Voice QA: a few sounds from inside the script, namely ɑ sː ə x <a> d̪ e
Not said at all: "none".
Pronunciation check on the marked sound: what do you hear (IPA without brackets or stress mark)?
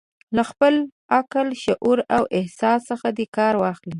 a